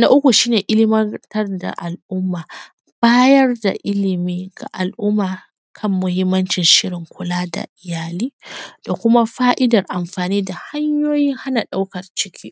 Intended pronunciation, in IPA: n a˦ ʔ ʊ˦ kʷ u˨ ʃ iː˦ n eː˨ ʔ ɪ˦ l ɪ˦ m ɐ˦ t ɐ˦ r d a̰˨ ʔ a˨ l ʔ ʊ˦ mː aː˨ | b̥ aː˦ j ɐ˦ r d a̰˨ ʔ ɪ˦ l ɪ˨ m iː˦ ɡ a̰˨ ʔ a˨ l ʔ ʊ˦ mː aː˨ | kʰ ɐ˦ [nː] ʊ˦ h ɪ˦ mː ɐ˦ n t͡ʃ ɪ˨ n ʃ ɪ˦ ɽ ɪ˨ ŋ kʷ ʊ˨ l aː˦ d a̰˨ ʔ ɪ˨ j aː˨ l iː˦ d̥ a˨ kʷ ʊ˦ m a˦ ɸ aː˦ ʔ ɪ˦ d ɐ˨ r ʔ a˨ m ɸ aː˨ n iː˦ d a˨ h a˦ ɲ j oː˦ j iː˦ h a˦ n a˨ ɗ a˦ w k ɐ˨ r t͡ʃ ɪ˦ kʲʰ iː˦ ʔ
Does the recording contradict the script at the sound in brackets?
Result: yes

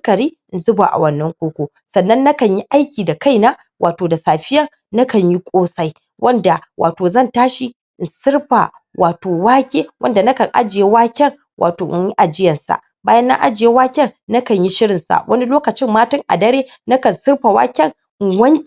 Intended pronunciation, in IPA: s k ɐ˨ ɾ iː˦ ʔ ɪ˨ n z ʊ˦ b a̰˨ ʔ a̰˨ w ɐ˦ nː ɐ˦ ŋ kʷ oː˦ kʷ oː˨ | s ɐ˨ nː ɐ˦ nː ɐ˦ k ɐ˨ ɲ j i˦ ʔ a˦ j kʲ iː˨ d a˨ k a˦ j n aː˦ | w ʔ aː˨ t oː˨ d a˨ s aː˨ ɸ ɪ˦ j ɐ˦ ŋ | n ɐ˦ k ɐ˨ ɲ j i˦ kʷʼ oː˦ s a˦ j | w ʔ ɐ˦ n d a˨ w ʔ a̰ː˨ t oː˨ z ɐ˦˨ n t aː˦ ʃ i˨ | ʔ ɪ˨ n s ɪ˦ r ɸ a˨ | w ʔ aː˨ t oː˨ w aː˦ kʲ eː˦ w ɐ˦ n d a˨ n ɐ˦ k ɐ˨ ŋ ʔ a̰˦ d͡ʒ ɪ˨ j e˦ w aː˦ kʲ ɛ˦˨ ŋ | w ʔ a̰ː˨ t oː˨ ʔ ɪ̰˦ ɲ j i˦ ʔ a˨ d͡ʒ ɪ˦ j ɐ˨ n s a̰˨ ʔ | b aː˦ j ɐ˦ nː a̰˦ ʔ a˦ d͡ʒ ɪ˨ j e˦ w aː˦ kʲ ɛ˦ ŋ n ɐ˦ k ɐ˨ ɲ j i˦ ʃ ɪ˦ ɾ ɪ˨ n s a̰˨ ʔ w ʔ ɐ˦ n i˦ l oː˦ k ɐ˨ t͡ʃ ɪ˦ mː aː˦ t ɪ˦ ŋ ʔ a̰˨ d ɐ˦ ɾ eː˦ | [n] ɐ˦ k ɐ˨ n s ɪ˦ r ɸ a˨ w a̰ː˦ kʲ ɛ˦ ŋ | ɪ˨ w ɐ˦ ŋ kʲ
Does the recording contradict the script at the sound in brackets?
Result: no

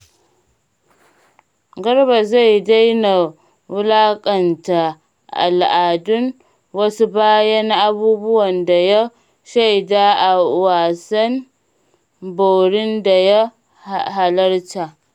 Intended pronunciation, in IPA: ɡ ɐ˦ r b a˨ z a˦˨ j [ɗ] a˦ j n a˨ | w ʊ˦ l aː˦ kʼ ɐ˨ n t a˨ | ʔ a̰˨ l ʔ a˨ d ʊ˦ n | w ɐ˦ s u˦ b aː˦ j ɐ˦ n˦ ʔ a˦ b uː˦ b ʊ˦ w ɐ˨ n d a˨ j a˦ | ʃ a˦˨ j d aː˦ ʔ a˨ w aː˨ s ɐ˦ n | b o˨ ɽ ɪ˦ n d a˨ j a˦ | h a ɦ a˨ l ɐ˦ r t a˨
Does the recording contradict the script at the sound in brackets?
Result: yes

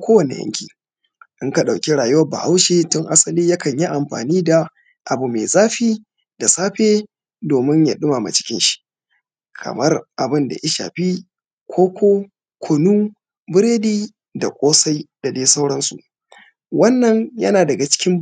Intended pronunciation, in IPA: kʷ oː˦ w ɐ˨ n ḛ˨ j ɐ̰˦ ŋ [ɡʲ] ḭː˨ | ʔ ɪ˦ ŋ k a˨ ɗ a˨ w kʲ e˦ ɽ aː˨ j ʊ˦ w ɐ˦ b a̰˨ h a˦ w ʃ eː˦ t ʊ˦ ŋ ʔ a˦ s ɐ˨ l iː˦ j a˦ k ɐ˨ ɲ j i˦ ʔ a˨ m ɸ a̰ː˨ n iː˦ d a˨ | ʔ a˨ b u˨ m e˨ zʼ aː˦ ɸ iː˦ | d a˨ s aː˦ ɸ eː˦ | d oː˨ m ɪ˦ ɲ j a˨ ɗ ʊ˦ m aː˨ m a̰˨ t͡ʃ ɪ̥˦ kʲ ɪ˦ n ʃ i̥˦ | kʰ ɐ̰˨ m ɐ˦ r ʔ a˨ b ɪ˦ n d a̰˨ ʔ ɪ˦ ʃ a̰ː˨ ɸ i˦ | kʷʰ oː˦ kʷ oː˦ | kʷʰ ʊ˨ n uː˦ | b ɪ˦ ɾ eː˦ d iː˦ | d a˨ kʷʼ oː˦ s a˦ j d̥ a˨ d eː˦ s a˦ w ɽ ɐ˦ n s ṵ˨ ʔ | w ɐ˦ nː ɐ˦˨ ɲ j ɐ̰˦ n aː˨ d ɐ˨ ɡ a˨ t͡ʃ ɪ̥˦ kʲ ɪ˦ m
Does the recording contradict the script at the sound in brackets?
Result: yes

